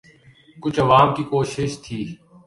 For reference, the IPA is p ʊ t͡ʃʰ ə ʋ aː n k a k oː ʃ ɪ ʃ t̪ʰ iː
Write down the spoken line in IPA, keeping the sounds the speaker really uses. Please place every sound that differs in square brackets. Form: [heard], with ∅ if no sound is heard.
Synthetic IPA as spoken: [k] ʊ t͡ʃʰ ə ʋ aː [m] k [i] k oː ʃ ɪ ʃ t̪ʰ iː

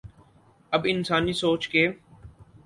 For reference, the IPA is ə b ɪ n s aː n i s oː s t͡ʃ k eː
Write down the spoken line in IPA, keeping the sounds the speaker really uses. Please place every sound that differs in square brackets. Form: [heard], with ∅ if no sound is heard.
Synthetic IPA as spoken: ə b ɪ n s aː n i s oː [∅] t͡ʃ k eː

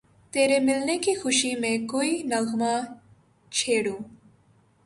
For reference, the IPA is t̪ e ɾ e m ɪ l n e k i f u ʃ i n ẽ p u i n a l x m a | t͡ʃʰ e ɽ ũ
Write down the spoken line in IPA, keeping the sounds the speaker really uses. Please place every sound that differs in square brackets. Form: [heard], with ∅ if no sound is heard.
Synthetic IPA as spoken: t̪ e ɾ e m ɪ l n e k i [x] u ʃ i [m] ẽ [k] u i n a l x m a | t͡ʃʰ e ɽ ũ

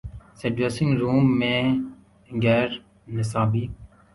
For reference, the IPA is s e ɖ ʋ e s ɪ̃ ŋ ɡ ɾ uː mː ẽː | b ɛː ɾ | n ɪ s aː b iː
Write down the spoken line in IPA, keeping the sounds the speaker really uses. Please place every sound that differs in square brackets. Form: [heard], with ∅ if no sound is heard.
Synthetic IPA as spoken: s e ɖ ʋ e s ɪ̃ ŋ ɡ ɾ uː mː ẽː | [ɡ] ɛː ɾ | n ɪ s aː b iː

